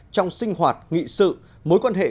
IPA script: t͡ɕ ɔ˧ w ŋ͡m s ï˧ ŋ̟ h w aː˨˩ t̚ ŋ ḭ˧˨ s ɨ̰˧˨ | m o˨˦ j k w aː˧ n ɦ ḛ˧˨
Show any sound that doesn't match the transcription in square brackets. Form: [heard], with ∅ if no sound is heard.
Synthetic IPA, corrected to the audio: t͡ɕ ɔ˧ w ŋ͡m s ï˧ ŋ̟ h w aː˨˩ t̚ ŋ ḭ˧˨ s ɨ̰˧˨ | m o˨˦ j k w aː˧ n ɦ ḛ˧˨